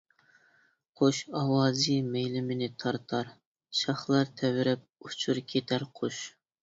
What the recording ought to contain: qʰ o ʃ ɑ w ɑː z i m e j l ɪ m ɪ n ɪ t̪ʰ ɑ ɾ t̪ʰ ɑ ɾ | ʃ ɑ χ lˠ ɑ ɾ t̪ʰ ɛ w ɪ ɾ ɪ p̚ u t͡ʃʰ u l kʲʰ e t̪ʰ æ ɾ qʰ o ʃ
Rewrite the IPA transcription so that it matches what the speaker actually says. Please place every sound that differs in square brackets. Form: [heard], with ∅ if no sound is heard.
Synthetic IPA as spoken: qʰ o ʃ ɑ w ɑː z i m e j l ɪ m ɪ n ɪ t̪ʰ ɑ ɾ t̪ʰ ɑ ɾ | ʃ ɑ χ lˠ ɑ ɾ t̪ʰ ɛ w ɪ ɾ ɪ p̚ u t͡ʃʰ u [ɾ] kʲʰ e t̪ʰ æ ɾ qʰ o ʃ